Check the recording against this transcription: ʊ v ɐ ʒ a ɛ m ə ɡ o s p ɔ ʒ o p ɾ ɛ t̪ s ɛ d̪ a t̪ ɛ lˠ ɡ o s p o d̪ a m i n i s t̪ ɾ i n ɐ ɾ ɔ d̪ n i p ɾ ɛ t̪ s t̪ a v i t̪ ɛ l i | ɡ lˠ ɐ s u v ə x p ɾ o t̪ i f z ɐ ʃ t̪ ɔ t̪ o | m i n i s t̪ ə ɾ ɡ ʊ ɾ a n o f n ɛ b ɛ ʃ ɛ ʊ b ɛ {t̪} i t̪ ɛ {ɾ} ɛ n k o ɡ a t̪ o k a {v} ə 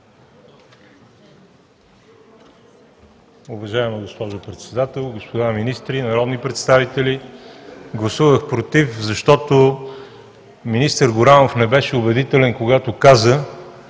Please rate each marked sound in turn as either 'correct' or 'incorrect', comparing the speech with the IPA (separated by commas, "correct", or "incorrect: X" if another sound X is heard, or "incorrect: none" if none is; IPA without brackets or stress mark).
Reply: incorrect: d̪, incorrect: l, incorrect: z